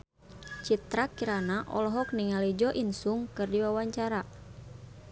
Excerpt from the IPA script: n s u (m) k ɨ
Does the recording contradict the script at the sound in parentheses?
yes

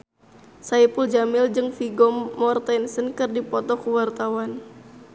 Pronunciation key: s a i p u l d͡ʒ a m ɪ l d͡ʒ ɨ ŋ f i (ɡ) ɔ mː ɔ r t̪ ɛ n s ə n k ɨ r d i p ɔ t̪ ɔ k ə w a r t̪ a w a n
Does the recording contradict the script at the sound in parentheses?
no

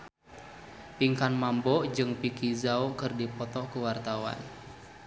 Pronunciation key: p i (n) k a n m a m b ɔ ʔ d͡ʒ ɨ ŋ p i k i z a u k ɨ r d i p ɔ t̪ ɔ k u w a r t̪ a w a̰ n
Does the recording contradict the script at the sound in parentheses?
yes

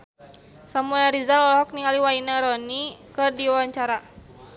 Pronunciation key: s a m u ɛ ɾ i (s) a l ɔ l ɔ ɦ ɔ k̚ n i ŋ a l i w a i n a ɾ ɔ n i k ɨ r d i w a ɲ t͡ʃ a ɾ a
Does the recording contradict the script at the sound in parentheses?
yes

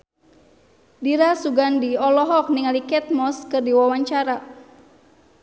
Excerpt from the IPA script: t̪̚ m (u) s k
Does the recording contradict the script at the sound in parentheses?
yes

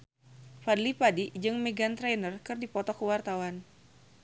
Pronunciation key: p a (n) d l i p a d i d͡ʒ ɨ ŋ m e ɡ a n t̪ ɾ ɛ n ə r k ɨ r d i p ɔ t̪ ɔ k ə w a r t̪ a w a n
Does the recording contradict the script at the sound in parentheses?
yes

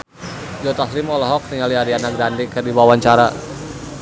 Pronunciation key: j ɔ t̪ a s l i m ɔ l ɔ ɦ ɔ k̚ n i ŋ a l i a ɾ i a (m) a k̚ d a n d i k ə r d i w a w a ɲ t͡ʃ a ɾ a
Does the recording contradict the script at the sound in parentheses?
yes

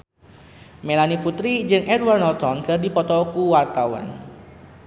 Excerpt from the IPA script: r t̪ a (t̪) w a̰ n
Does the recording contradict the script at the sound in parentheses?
yes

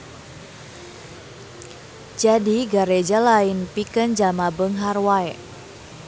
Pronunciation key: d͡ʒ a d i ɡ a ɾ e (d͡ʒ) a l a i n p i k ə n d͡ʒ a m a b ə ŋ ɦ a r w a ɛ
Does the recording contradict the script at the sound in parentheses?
no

